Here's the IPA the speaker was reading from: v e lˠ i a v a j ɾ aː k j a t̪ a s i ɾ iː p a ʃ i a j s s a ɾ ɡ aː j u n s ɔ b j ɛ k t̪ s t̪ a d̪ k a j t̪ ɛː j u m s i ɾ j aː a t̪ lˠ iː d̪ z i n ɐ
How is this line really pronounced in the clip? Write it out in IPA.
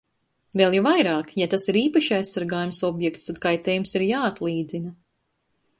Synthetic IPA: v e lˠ j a v a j ɾ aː k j a t̪ a s i ɾ iː p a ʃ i a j s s a ɾ ɡ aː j u m s ɔ b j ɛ k t̪ s t̪ a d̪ k a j t̪ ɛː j u m s i ɾ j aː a t̪ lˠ iː d̪ z i n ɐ